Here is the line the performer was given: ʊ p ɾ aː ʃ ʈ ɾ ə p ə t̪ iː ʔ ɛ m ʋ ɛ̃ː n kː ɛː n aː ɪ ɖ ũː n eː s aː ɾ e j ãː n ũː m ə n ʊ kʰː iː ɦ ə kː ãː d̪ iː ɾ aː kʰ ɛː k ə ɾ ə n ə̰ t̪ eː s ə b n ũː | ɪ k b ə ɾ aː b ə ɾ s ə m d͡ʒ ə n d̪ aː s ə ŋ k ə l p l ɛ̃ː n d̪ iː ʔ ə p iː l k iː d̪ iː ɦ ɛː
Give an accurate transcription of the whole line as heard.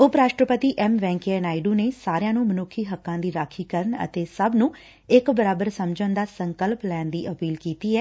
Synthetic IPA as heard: ʊ p ɾ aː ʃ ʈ ɾ ə p ə t̪ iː ʔ ɛ m ʋ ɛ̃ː ŋ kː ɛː n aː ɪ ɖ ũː n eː s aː ɾ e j ãː n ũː m ə n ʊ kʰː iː ɦ ə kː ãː d̪ iː ɾ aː kʰ iː k ə ɾ ə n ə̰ t̪ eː s ə b n ũː | ɪ k b ə ɾ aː b ə ɾ s ə m d͡ʒ ə n d̪ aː s ə ŋ k ə l p l ɛː n d̪ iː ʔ ə p iː l k iː t̪ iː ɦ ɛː